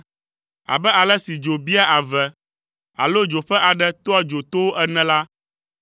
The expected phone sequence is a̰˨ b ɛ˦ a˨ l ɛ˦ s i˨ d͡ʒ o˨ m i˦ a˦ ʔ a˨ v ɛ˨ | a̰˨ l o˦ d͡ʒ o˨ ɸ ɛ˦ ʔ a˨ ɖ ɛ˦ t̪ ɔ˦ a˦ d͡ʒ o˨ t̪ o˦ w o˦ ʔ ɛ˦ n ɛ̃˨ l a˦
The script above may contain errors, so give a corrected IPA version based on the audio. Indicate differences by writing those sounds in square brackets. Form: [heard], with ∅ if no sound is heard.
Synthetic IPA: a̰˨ b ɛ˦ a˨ l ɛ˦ s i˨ d͡ʒ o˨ [b] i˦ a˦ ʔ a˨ v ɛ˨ | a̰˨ l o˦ d͡ʒ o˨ ɸ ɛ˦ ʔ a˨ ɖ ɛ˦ t̪ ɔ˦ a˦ d͡ʒ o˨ t̪ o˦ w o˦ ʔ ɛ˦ n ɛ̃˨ l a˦